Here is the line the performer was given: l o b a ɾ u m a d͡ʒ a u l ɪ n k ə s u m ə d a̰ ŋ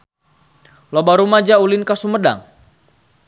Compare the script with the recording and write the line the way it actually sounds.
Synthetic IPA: l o b a ɾ u m a d͡ʒ a u l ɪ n k a s u m ə d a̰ ŋ